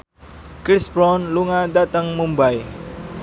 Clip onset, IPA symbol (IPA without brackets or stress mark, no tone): k